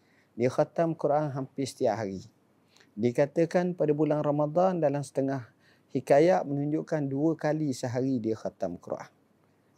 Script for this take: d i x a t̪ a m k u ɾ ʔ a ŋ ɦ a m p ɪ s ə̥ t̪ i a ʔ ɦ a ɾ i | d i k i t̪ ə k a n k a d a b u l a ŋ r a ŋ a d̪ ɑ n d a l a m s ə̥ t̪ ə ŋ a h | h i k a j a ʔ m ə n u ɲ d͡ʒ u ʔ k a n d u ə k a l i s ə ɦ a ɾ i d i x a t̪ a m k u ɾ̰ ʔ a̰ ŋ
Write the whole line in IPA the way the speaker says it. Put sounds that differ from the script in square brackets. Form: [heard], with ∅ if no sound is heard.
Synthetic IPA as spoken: d i x a t̪ a m k u ɾ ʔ a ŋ ɦ a m p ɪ s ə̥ t̪ i a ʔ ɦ a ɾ i | d i k [a] t̪ ə k a n [p] a d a b u l a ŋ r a [m] a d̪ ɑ n d a l a m s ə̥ t̪ ə ŋ a h | h i k a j a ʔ m ə n u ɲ d͡ʒ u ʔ k a n d u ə k a l i s ə ɦ a ɾ i d i x a t̪ a m k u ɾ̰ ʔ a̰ ŋ